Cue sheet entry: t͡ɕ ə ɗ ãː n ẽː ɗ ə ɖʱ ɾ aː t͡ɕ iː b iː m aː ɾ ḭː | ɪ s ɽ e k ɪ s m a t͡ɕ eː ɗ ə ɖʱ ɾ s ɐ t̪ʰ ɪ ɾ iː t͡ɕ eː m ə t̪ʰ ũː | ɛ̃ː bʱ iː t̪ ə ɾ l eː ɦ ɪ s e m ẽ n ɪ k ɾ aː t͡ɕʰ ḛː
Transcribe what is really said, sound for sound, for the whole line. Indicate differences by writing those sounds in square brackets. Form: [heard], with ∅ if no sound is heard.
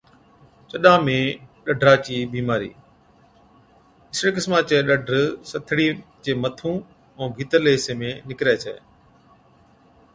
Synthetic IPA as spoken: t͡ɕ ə ɗ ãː [m] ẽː ɗ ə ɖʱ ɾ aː t͡ɕ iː b iː m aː ɾ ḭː | ɪ s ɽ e k ɪ s m a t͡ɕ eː ɗ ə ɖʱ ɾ s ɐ t̪ʰ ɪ [ɽ] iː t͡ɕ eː m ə t̪ʰ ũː | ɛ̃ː bʱ iː t̪ ə ɾ l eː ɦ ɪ s e m ẽ n ɪ k ɾ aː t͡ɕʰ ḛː